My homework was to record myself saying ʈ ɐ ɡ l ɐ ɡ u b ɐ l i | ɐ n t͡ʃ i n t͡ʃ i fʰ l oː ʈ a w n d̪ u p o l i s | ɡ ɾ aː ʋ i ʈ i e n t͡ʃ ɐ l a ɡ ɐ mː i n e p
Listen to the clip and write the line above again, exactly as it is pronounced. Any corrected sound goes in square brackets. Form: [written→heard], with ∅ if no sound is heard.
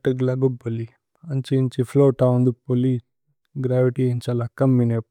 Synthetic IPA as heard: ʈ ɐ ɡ l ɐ ɡ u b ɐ l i | ɐ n t͡ʃ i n t͡ʃ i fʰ l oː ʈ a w n d̪ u p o l i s | ɡ ɾ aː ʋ i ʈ i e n t͡ʃ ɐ l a [ɡ→k] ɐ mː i n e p